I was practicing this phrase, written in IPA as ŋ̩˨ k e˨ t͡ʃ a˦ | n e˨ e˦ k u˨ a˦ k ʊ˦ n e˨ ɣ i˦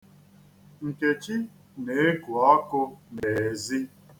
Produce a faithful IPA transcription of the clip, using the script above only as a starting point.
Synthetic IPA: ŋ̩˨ k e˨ t͡ʃ i˦ | n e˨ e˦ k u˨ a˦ k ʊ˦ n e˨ z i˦